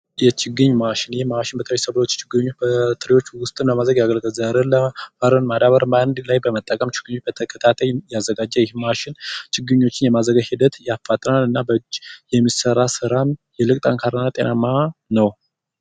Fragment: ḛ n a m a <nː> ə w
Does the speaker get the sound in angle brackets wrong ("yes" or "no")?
yes